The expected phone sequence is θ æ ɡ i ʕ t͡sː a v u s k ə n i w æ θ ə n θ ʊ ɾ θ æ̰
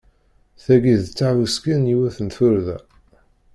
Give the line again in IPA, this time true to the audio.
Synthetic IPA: θ æ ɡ i ð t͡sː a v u s k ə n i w æ θ ə n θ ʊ ɾ ð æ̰